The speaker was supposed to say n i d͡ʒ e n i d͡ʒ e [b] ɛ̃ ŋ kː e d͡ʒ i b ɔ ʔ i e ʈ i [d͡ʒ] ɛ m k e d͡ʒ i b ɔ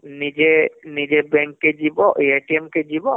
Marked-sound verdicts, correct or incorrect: correct, incorrect

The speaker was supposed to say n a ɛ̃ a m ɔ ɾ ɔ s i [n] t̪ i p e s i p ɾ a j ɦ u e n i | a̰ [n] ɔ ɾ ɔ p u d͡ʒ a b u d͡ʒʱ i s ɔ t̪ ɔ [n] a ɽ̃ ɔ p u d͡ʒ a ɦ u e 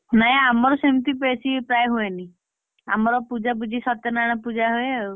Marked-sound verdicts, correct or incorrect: incorrect, incorrect, correct

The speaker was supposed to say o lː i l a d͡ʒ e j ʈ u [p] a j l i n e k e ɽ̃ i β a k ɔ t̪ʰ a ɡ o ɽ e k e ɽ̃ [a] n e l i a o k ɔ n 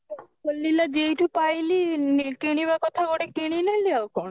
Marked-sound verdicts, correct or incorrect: correct, incorrect

